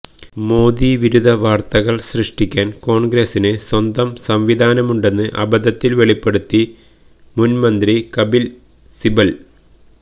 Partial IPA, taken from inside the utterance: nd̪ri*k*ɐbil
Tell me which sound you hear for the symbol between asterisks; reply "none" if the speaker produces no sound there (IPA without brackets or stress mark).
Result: k